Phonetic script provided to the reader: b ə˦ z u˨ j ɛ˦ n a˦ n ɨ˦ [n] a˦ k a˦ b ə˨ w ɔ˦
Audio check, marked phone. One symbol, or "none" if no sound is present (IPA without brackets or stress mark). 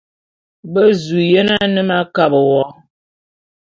m